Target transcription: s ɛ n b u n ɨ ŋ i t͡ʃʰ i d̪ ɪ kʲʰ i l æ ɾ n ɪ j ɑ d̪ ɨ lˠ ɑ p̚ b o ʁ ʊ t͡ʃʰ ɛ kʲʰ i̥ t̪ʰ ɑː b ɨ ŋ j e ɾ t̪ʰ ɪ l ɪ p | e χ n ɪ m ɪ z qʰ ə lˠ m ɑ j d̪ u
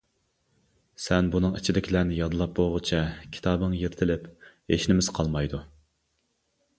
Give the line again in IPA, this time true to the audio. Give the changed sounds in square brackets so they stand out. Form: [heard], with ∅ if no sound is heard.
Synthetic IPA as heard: s ɛ n b u n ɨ ŋ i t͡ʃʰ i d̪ ɪ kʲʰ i l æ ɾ n ɪ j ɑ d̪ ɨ lˠ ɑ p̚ b o ʁ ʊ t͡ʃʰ ɛ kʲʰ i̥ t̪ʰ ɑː b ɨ ŋ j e ɾ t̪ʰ ɪ l ɪ p | e [ʃ] n ɪ m ɪ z qʰ [ɑ] lˠ m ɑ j d̪ u